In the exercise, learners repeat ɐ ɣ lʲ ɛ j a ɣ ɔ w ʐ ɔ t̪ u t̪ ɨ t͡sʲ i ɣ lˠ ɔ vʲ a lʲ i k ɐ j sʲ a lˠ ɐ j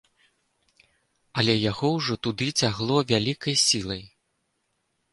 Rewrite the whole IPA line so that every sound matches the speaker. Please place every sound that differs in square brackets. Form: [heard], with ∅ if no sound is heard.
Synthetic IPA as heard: ɐ [∅] lʲ ɛ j a ɣ ɔ w ʐ ɔ t̪ u [d̪] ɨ t͡sʲ [a] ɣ lˠ ɔ vʲ a lʲ i k ɐ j sʲ [i] lˠ ɐ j